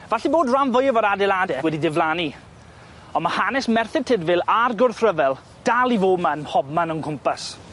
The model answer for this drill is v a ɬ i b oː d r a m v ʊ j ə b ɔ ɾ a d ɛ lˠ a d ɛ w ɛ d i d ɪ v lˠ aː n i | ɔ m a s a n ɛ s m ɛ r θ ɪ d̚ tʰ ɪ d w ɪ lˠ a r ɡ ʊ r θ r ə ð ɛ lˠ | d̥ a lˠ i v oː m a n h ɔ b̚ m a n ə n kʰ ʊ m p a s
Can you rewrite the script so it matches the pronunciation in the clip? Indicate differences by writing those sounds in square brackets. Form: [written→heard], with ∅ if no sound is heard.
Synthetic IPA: v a ɬ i b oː d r a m v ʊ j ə [b→v] ɔ ɾ a d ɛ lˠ a d ɛ w ɛ d i d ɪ v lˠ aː n i | ɔ m a [s→h] a n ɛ s m ɛ r θ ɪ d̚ tʰ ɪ d [w→v] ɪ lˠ a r ɡ ʊ r θ r ə [ð→v] ɛ lˠ | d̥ a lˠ i v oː m a n h ɔ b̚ m a n ə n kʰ ʊ m p a s